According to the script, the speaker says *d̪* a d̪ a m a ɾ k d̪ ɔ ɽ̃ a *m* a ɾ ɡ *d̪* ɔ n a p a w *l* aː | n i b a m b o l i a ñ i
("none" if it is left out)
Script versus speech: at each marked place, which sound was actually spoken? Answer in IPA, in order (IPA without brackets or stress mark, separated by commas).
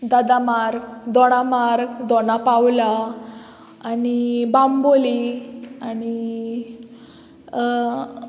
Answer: d̪, m, d̪, l